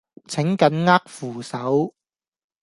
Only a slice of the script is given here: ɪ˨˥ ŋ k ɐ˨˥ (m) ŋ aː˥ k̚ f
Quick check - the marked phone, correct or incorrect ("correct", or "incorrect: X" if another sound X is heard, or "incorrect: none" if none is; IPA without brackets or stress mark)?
incorrect: n